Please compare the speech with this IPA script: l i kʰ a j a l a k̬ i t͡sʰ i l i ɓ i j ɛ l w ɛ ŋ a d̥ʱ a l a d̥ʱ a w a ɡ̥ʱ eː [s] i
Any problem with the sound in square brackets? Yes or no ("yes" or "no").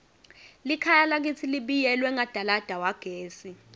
no